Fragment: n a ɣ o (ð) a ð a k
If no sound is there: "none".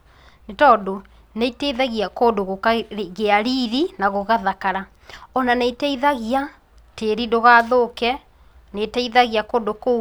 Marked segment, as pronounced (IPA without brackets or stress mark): ɣ